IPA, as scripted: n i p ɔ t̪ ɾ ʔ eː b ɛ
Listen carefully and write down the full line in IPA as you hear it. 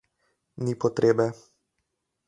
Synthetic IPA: n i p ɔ t̪ ɾ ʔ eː b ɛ